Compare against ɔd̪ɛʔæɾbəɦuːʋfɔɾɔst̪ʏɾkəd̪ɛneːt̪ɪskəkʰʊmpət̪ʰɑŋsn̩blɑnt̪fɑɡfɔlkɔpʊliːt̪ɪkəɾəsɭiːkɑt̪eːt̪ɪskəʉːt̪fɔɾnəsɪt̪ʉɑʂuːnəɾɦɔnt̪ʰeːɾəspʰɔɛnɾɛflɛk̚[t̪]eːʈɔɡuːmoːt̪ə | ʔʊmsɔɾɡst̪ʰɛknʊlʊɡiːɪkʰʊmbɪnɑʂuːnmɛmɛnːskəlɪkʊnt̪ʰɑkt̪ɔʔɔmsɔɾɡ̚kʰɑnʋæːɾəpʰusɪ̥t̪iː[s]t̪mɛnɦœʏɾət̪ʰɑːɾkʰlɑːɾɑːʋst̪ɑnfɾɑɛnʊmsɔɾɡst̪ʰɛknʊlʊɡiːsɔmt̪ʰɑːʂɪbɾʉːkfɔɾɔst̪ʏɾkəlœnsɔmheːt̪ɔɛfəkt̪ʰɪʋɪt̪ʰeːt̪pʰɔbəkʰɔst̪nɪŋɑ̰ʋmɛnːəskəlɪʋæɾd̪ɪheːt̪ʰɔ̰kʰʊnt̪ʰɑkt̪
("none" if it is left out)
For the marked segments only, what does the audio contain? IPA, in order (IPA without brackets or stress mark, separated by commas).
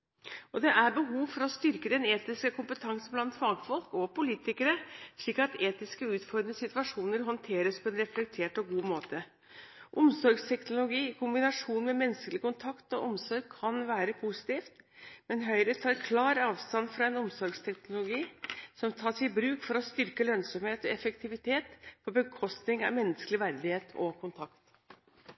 t̪ʰ, f